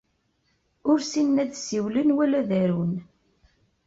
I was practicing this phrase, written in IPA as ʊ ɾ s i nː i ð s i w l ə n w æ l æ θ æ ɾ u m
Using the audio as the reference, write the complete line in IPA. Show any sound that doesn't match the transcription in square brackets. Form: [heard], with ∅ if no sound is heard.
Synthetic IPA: ʊ ɾ s i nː [æ] ð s i w l ə n w æ l æ [ð] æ ɾ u [n]